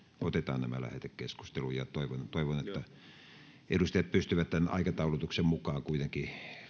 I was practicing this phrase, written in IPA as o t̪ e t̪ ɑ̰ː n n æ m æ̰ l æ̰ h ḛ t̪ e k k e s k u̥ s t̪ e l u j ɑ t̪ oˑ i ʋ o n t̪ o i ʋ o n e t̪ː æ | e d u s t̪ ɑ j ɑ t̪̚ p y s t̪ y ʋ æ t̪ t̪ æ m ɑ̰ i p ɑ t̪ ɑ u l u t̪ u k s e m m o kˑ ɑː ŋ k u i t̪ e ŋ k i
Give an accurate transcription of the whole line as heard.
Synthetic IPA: o t̪ e t̪ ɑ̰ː n n æ m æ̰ l æ̰ h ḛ t̪ e k k e s k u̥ s t̪ e l u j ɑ t̪ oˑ i ʋ o n t̪ o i ʋ o n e t̪ː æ | e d u s t̪ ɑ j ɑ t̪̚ p y s t̪ y ʋ æ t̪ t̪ æ n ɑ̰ i k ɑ t̪ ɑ u l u t̪ u k s e m m u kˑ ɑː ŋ k u i t̪ e ŋ k i